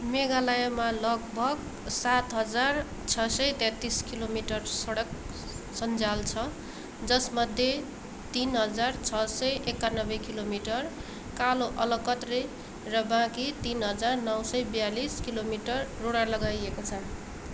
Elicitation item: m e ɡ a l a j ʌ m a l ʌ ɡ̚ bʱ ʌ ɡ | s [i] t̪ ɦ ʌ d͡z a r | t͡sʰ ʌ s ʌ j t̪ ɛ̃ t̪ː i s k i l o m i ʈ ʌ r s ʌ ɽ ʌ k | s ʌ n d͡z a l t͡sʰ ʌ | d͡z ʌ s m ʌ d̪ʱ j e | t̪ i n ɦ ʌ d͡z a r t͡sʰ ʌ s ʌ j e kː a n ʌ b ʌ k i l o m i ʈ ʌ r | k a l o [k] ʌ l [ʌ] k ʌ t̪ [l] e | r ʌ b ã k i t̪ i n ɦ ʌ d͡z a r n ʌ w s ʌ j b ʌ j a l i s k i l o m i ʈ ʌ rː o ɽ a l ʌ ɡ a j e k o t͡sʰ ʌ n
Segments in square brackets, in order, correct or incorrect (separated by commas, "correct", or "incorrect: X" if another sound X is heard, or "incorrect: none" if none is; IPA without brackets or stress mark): incorrect: a, incorrect: ʔ, correct, incorrect: r